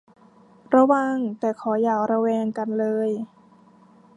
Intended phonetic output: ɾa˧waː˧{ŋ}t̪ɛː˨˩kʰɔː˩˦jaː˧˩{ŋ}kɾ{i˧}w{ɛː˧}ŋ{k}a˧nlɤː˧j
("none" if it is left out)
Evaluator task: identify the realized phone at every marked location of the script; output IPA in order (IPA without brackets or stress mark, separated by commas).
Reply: ŋ, none, a˧, ɛː˧, k